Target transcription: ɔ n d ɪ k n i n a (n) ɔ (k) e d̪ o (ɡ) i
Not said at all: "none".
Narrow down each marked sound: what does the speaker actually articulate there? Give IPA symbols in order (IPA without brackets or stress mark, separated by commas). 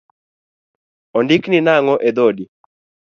ŋ, ʔ, d